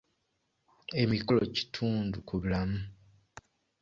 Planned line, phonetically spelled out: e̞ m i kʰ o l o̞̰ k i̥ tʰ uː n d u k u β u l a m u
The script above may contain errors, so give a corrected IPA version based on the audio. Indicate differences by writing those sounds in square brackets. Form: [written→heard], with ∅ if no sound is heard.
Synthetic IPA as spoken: e̞ m i [kʰ→k] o l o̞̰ [k→c] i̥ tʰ uː n d u k u β u l a m u